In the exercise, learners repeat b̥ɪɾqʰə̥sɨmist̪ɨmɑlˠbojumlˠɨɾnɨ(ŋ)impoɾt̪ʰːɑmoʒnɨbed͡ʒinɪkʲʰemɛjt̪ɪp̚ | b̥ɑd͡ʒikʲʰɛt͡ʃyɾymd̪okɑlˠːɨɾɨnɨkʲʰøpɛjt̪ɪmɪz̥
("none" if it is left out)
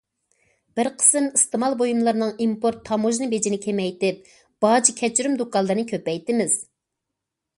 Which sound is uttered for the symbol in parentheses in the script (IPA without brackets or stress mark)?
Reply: ŋ